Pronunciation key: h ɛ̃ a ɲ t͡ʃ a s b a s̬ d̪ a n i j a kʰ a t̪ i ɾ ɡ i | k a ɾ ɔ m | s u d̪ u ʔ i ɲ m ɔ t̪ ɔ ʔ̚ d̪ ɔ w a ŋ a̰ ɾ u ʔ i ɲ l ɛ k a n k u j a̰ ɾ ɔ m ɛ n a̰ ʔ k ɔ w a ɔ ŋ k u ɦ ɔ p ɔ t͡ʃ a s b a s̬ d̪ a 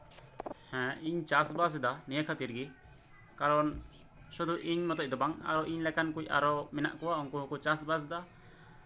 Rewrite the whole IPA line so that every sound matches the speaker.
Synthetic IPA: h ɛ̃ i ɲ t͡ʃ a s b a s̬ d̪ a n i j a kʰ a t̪ i ɾ ɡ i | k a ɾ ɔ n | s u d̪ u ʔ i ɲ m ɔ t̪ ɔ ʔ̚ d̪ ɔ b a ŋ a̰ ɾ ɔ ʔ i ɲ l ɛ k a n k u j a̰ ɾ ɔ m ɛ n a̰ ʔ k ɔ w a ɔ ŋ k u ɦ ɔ k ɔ t͡ʃ a s b a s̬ d̪ a